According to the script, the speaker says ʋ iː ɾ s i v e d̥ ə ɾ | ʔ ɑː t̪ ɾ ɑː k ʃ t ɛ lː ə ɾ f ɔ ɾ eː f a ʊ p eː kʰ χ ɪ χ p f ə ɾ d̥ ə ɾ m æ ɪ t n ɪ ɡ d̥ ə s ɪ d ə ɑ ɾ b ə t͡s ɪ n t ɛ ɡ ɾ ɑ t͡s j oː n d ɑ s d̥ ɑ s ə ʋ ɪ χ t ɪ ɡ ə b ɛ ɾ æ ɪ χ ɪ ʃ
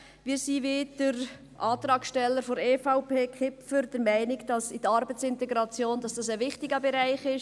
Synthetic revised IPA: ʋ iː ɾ s i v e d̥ ə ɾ | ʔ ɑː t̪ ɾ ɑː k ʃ t ɛ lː ə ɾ f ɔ ɾ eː f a ʊ p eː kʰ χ ɪ p f ə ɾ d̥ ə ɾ m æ ɪ n ɪ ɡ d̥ ɑ s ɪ d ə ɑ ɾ b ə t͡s ɪ n t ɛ ɡ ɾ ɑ t͡s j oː n d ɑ s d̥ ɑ s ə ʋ ɪ χ t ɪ ɡ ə b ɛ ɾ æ ɪ χ ɪ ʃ